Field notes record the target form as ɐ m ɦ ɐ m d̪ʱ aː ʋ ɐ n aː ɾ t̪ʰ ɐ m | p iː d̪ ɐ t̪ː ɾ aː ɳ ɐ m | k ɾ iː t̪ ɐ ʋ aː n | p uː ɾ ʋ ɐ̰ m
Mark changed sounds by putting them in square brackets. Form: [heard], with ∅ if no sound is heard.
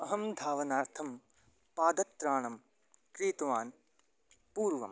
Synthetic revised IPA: ɐ [∅] ɦ ɐ m d̪ʱ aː ʋ ɐ n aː ɾ t̪ʰ ɐ m | p [aː] d̪ ɐ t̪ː ɾ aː ɳ ɐ m | k ɾ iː t̪ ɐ ʋ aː n | p uː ɾ ʋ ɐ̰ m